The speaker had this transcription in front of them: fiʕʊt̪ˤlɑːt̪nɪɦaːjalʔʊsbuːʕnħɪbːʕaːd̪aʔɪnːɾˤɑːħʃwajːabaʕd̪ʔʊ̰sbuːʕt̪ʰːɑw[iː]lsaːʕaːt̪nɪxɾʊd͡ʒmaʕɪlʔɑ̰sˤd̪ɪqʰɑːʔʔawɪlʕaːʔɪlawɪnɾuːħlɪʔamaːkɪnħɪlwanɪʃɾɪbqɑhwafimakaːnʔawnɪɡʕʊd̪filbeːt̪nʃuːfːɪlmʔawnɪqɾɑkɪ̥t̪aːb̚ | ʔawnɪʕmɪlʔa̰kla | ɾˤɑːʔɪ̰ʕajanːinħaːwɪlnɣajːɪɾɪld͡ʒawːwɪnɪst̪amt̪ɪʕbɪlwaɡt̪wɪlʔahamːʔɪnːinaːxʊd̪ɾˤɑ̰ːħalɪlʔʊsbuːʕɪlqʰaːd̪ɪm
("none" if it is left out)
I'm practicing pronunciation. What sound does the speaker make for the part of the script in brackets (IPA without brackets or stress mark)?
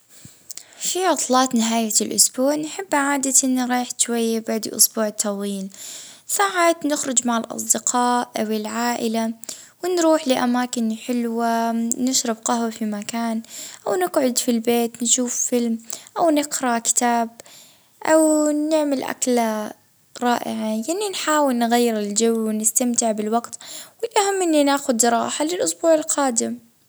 iː